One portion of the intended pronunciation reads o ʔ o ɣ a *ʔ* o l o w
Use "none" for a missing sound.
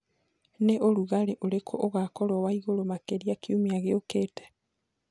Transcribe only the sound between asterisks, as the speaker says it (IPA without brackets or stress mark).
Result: k